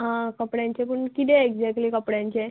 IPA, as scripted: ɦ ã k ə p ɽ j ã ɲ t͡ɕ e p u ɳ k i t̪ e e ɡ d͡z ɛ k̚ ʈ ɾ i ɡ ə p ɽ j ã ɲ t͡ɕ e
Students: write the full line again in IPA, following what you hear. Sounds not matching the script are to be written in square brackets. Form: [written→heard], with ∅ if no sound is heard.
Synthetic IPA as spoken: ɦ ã k ə p ɽ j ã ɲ t͡ɕ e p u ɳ k i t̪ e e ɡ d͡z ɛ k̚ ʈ [ɾ→l] i [ɡ→k] ə p ɽ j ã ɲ t͡ɕ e